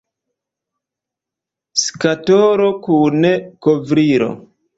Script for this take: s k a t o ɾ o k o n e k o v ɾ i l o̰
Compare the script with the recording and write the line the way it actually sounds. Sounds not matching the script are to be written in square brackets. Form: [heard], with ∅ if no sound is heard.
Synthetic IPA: s k a t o ɾ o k [u] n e k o v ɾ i [ɾ] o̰